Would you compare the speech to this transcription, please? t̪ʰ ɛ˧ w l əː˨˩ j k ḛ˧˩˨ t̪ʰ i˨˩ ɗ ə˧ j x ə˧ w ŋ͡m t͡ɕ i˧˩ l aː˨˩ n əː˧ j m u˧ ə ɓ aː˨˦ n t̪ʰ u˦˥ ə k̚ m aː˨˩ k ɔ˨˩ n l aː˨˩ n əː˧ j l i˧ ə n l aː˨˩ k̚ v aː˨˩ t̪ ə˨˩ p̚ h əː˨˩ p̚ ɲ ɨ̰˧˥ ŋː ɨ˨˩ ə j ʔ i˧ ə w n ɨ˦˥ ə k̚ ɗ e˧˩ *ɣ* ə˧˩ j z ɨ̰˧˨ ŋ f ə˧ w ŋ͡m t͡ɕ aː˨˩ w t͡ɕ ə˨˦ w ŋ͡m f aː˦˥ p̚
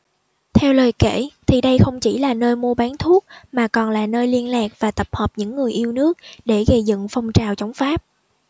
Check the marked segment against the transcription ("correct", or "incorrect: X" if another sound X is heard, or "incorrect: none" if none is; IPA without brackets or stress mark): correct